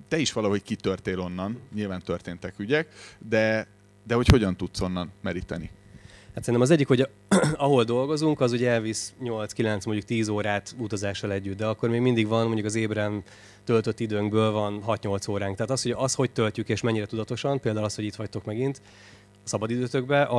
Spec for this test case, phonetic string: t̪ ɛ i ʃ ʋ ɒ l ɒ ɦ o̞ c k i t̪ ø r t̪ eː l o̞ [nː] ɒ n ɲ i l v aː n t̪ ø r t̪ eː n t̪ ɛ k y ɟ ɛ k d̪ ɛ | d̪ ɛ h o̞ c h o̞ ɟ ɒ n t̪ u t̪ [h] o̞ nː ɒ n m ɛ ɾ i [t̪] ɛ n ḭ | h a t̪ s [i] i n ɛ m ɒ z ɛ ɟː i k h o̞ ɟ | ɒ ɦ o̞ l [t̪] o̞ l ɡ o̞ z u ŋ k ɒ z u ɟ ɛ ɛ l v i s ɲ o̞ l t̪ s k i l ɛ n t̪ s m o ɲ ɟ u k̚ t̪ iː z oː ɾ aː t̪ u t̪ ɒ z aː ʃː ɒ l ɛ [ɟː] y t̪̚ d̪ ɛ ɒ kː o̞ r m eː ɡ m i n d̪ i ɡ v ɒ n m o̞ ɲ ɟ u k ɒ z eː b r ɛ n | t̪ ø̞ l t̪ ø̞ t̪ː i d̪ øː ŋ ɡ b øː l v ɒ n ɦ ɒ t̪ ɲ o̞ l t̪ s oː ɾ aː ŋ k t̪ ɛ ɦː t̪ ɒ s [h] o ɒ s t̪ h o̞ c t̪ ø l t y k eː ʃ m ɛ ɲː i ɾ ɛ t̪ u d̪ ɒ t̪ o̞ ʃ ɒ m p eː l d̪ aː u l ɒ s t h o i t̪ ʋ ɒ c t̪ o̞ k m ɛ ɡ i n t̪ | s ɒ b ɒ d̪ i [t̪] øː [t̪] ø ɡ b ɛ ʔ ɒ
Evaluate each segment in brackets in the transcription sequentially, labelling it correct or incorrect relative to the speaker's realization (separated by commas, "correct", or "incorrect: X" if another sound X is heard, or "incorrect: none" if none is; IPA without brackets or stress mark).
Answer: correct, incorrect: s, correct, incorrect: ɛ, incorrect: d̪, correct, correct, incorrect: d̪, correct